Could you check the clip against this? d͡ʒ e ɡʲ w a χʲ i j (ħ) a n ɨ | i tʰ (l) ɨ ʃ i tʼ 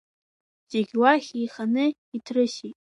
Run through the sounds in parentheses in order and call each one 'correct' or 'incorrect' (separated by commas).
incorrect, incorrect